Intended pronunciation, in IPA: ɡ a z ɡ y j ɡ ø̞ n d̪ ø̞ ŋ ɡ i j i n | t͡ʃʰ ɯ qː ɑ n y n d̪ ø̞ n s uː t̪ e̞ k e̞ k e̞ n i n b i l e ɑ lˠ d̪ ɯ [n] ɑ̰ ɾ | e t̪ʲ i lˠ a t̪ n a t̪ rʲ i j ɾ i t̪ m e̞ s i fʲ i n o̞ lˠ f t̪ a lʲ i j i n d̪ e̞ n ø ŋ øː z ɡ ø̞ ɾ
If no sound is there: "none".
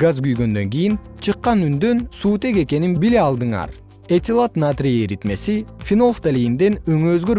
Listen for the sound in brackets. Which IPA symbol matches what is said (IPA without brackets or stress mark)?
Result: ɴ